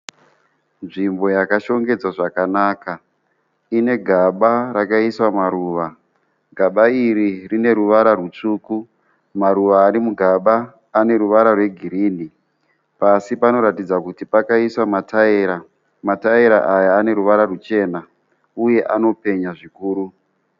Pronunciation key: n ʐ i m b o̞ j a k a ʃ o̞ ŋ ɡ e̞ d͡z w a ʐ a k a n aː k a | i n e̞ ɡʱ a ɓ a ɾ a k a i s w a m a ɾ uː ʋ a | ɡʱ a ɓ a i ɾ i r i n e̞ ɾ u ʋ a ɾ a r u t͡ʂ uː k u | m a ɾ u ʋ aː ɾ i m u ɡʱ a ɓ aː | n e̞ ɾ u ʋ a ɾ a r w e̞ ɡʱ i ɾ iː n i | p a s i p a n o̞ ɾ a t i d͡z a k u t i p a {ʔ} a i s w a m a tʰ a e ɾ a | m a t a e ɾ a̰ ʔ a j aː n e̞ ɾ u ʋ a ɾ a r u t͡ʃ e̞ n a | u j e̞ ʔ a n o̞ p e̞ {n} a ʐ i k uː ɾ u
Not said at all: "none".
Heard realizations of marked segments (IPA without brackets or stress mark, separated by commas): k, ɲ